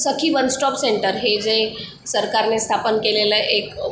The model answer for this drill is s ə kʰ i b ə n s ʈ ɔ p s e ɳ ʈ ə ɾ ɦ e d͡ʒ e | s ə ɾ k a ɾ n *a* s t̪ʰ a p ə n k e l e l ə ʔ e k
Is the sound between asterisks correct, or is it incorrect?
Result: incorrect